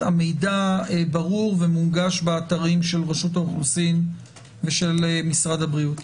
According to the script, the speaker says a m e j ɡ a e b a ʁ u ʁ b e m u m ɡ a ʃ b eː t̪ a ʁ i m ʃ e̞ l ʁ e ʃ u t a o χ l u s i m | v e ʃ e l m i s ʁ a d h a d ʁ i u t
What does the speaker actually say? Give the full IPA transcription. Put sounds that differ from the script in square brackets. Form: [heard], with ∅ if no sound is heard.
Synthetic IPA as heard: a m e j [d] a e b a ʁ u ʁ [v] e m u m ɡ a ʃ b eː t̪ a ʁ i m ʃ e̞ l ʁ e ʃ u t a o χ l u s i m | v e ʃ e l m i s ʁ a d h a [b] ʁ i u t